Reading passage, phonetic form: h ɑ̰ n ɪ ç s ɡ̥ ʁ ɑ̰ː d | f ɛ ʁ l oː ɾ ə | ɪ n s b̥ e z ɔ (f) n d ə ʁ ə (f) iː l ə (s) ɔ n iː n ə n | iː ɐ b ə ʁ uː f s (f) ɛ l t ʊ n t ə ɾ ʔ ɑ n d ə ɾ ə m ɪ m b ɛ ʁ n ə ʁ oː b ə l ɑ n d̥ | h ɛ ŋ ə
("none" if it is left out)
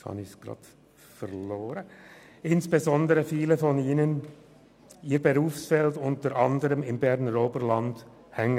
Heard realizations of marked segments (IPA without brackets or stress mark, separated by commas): none, f, f, f